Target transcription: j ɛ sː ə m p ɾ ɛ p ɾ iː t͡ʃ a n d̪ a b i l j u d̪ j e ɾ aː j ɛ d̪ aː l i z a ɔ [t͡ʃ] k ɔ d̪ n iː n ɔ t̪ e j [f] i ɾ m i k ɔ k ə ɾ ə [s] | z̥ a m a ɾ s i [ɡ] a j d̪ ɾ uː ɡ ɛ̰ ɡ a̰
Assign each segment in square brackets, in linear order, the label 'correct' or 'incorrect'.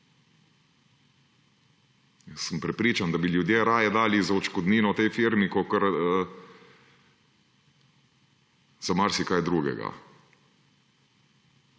correct, correct, incorrect, incorrect

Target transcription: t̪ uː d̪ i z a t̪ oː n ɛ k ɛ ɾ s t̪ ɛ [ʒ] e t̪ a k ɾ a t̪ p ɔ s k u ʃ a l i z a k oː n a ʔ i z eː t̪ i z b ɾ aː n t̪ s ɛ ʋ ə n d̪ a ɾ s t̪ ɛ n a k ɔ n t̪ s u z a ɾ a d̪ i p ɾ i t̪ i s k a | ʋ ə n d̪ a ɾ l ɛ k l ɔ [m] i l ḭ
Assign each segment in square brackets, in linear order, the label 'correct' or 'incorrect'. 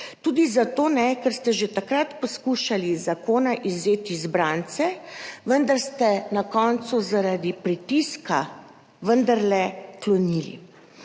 correct, incorrect

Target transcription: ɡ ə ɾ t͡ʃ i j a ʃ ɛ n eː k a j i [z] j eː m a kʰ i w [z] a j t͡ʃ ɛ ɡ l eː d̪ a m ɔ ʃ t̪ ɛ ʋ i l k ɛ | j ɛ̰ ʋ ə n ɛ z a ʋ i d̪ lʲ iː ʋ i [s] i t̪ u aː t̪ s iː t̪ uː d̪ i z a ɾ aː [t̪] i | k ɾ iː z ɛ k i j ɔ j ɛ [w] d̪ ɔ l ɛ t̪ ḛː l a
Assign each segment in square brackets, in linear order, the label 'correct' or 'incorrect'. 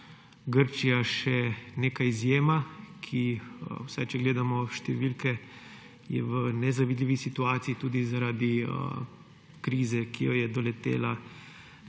correct, incorrect, correct, incorrect, incorrect

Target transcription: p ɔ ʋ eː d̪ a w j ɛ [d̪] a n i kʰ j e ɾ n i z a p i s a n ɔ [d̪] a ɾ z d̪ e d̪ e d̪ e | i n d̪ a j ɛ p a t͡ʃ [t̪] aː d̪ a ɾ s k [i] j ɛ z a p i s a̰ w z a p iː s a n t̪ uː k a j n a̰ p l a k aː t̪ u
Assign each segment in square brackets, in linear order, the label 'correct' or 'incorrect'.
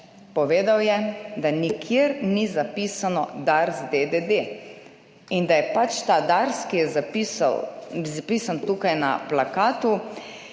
correct, correct, correct, correct

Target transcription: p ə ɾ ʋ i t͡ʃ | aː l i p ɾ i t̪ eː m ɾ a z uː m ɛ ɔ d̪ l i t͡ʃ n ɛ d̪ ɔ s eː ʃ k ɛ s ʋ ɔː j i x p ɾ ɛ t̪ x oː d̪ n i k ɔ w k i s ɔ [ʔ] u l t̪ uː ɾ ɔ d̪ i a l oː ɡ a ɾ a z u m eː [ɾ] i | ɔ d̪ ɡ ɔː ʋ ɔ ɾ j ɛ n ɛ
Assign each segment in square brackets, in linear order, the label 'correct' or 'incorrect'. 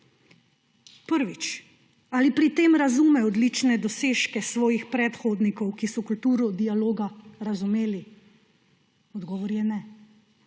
incorrect, incorrect

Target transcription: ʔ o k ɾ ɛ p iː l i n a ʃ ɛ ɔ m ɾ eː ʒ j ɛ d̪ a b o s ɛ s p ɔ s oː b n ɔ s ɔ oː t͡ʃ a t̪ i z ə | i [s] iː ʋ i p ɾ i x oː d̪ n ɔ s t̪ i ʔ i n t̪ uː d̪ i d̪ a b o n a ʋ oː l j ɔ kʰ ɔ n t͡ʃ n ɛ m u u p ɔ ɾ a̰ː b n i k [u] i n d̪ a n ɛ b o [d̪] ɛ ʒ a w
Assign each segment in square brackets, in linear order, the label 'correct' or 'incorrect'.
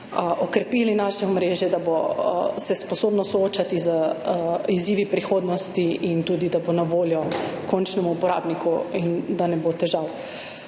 incorrect, correct, incorrect

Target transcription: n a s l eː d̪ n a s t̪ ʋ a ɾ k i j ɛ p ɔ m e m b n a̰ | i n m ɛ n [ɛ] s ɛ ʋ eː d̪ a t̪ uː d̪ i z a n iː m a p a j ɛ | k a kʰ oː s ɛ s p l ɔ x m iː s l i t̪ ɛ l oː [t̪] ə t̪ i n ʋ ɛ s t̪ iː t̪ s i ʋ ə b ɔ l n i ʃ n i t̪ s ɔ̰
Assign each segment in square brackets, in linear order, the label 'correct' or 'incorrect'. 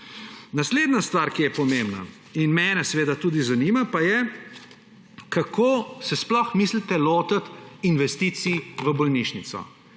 correct, correct

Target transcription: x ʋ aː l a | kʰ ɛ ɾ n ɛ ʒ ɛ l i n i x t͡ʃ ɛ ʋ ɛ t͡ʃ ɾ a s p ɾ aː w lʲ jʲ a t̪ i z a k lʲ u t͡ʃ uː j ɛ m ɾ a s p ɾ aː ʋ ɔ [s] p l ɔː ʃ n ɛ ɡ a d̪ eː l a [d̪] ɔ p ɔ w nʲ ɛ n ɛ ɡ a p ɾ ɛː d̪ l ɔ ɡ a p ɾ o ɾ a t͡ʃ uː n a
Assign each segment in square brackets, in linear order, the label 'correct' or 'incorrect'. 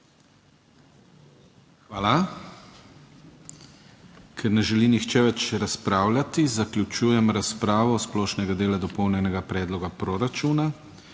correct, correct

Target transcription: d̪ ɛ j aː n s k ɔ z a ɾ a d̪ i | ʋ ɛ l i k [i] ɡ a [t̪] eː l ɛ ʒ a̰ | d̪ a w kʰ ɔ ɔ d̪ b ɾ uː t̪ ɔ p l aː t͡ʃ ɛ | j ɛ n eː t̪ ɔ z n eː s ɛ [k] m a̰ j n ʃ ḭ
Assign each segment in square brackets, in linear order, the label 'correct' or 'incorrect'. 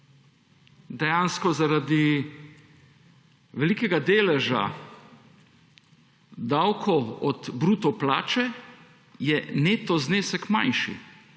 incorrect, incorrect, correct

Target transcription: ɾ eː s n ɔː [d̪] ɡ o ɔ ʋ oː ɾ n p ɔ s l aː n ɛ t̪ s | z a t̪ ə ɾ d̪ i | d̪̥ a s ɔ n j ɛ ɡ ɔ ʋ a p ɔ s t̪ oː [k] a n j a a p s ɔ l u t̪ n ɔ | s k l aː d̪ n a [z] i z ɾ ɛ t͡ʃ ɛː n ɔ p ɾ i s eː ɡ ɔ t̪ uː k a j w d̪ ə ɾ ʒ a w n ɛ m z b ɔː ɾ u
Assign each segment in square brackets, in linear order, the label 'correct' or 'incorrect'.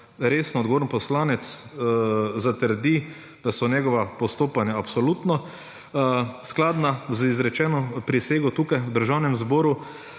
correct, incorrect, correct

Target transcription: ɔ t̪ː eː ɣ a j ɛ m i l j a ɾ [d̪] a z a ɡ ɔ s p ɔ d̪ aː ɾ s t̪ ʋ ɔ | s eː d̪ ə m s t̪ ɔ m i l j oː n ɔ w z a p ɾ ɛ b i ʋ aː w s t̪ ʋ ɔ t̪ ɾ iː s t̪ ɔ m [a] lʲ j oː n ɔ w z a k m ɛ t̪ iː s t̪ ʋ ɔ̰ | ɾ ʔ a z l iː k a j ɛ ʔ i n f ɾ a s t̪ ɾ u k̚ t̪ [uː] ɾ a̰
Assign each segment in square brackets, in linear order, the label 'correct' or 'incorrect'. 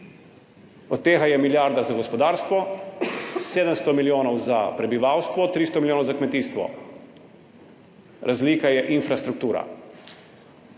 correct, incorrect, correct

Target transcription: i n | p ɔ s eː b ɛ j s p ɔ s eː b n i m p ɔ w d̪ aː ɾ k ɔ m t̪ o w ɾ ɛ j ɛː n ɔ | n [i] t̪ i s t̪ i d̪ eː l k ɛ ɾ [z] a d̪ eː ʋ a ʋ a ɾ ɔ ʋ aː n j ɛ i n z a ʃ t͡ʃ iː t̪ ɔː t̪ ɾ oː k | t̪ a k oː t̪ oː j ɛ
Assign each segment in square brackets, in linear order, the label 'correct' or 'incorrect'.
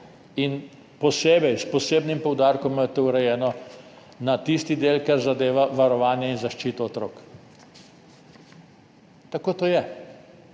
incorrect, correct

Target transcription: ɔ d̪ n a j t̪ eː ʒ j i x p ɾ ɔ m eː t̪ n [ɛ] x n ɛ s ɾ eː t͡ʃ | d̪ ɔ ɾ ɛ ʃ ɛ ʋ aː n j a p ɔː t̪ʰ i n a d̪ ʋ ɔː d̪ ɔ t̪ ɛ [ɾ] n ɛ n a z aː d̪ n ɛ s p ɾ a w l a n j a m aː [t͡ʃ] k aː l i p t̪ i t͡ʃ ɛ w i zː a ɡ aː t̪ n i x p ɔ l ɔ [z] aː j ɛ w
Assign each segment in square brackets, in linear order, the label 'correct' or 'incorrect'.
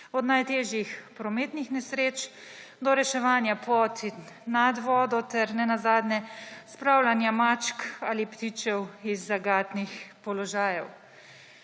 incorrect, correct, correct, incorrect

